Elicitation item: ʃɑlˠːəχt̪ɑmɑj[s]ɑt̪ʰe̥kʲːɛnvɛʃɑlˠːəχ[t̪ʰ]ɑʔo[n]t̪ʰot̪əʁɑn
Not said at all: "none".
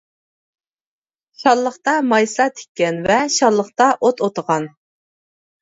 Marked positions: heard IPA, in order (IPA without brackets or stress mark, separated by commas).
s, t̪, none